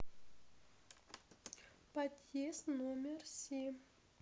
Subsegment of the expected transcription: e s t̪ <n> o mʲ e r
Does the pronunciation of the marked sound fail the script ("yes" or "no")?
no